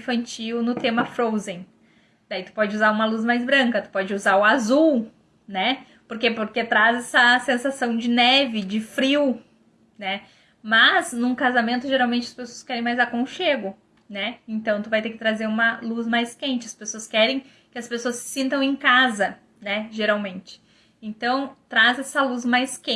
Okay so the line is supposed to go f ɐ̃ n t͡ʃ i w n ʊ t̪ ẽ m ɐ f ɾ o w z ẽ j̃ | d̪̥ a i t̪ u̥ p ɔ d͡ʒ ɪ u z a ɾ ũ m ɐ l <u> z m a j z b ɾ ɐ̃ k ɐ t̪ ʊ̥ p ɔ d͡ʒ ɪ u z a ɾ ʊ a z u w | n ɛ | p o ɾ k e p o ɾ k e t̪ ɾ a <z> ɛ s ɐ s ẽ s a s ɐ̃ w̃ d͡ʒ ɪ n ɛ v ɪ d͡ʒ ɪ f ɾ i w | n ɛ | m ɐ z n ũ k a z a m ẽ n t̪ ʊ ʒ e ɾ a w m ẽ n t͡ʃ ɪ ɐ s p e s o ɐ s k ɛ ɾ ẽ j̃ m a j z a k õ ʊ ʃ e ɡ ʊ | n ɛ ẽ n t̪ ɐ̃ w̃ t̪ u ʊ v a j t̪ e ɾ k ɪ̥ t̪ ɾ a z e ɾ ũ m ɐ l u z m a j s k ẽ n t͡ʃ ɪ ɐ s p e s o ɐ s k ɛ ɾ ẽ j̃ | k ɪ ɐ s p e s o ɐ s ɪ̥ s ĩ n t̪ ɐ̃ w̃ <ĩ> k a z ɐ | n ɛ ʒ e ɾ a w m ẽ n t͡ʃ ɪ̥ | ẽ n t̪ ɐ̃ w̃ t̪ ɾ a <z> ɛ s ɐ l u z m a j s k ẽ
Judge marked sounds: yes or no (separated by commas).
yes, yes, no, yes